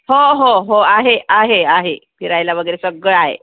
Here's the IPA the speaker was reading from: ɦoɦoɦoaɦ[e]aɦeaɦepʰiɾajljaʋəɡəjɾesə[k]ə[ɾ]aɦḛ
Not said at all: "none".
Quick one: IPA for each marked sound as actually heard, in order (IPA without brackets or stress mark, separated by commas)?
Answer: e, ɡ, ɭ